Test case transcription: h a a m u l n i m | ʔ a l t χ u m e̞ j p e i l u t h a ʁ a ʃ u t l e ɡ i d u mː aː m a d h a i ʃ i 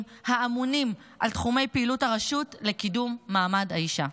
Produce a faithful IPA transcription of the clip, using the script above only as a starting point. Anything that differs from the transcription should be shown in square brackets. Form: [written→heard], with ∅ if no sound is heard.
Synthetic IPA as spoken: h a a m u [l→∅] n i m | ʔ a l t χ u m e̞ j p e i l u t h a ʁ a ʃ u t l e [ɡ→k] i d u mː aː m a d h a i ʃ [i→a]

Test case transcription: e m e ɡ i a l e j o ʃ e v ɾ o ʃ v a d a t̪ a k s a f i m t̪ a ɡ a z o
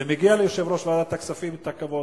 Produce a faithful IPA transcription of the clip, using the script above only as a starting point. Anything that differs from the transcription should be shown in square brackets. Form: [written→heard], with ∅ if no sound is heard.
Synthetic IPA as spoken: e m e ɡ i a l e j o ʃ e v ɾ o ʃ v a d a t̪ a k s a f i m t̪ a [ɡ→k] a [z→v] o

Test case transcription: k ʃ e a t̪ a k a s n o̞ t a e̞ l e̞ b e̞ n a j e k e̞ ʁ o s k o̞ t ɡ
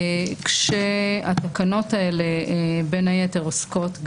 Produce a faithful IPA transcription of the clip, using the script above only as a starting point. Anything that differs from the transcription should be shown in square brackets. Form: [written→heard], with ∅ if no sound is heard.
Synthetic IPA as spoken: k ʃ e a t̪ a k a [s→∅] n o̞ t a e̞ l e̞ b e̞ n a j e [k→t] e̞ ʁ o s k o̞ t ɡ

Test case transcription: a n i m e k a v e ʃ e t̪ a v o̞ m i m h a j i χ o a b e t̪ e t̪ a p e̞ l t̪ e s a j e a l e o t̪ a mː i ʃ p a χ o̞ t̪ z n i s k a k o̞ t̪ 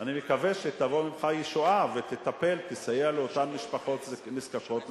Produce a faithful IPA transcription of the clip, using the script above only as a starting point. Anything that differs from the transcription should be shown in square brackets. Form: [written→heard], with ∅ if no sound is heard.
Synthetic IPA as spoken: a n i m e k a v e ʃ e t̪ a v o̞ m i m [h→χ] a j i [χ→ʃ] o a [b→v] e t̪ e t̪ a p e̞ l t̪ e s a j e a l e o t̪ a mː i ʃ p a χ o̞ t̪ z n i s k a k o̞ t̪

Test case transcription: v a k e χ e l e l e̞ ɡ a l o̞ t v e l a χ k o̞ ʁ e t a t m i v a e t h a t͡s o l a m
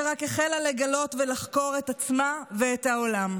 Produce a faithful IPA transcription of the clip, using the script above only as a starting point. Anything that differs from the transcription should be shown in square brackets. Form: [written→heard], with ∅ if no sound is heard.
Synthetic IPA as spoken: [v→ʁ] a k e χ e l [e→a] l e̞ ɡ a l o̞ t v e l a χ k o̞ ʁ e t a [t→t͡s] m [i→a] v [a→e] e t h a [t͡s→∅] o l a m

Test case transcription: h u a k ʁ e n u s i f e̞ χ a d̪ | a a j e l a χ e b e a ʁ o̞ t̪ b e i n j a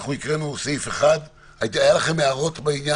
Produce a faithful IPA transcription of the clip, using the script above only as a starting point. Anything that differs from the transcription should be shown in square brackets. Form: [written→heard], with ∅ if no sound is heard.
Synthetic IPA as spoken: [h→χ] u [a→i] k ʁ e n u s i f e̞ χ a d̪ | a a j [e→a] l a χ e [b→m] e a ʁ o̞ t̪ b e i n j a

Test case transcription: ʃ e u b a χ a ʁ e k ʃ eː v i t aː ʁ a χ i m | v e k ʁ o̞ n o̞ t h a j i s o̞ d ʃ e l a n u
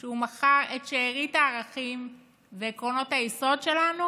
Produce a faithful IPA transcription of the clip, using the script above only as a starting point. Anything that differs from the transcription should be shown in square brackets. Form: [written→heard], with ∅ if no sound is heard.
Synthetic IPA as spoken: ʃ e u [b→m] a χ a ʁ e [k→t] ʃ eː [v→ʁ] i t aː ʁ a χ i m | v e k ʁ o̞ n o̞ t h a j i s o̞ d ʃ e l a n u

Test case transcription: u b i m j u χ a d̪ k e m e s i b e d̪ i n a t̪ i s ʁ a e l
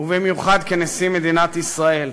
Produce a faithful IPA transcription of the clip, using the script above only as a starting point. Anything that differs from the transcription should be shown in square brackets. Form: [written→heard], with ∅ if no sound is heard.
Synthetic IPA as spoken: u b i m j u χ a d̪ k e [m→n] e s i [b→m] e d̪ i n a t̪ i s ʁ a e l

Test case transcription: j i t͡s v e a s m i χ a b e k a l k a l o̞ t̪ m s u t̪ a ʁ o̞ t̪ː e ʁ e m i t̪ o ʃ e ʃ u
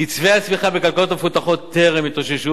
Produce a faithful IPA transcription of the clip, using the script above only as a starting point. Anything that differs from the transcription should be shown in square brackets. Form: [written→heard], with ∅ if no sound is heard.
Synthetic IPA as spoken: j i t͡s v e a s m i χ a b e k a l k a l o̞ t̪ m [s→f] u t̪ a [ʁ→χ] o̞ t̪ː e ʁ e m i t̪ o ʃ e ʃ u

